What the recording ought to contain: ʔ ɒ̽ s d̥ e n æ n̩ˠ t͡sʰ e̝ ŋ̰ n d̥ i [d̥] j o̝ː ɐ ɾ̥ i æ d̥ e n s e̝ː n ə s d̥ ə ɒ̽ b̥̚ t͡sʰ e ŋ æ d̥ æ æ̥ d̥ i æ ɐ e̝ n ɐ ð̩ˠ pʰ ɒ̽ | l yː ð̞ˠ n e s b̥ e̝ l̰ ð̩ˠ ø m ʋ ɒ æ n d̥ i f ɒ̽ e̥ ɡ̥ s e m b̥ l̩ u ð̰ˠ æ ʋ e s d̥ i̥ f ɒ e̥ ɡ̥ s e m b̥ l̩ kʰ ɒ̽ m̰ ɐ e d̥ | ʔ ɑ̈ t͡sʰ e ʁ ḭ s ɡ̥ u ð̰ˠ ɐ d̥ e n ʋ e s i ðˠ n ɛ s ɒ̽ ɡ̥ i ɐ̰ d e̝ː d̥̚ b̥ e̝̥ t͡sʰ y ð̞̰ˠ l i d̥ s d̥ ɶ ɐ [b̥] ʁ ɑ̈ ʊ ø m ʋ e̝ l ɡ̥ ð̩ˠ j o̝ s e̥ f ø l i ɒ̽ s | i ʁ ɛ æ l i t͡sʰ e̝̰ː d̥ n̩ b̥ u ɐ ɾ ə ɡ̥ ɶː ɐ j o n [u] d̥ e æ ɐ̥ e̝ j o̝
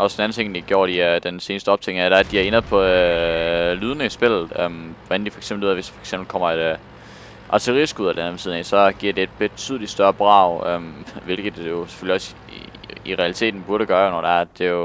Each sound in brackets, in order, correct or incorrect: incorrect, correct, incorrect

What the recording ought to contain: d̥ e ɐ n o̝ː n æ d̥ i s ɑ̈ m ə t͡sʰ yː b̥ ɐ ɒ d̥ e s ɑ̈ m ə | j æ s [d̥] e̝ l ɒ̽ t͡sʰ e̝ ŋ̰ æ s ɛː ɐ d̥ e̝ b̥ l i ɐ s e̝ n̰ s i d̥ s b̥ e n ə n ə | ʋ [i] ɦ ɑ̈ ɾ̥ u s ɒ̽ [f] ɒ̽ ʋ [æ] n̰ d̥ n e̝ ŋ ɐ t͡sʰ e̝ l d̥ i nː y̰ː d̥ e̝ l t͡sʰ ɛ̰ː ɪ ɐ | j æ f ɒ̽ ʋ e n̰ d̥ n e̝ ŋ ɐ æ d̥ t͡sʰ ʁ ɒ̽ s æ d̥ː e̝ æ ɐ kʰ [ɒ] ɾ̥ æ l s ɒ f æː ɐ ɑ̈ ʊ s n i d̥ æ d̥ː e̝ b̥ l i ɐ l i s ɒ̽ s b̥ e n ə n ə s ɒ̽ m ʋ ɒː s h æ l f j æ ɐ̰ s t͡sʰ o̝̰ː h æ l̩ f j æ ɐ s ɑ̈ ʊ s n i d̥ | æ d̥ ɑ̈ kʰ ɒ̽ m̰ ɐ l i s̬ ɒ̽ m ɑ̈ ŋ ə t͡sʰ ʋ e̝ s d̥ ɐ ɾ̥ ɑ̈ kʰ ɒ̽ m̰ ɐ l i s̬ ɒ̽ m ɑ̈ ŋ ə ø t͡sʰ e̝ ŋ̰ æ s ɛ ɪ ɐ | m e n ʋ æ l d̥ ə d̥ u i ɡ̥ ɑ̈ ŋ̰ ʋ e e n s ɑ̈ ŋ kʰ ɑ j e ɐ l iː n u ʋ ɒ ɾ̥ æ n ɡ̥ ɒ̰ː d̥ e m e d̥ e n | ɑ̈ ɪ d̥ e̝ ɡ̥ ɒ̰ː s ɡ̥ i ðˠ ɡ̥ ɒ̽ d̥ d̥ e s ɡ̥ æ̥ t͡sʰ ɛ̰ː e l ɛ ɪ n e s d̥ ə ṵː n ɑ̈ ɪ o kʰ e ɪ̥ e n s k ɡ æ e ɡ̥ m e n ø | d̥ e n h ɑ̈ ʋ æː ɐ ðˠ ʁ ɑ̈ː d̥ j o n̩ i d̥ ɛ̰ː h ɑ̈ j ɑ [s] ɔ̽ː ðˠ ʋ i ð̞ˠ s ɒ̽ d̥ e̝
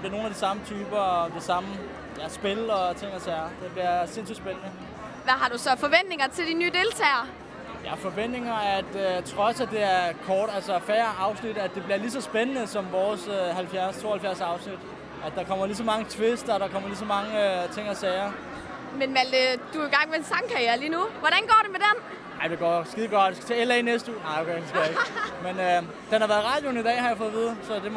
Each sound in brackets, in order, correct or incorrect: incorrect, incorrect, correct, incorrect, incorrect, incorrect

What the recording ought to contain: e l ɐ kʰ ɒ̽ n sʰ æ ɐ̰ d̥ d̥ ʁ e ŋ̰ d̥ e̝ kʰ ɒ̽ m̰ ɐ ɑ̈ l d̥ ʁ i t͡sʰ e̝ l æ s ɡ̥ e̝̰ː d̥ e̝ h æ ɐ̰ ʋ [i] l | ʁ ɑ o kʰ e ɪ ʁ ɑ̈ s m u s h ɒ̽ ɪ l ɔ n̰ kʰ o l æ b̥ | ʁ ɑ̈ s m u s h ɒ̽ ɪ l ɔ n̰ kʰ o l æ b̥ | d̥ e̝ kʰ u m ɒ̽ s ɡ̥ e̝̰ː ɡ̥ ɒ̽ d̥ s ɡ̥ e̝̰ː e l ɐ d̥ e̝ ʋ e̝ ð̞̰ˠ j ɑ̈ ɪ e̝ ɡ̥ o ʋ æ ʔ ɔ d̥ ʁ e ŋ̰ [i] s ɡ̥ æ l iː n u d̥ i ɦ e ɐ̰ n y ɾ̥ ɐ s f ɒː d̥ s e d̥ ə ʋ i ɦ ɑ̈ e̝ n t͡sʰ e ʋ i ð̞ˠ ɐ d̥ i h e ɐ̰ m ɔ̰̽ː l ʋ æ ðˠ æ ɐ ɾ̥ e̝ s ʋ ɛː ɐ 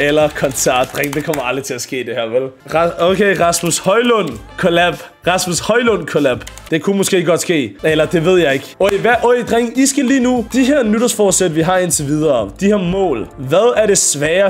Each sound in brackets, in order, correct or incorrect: incorrect, correct

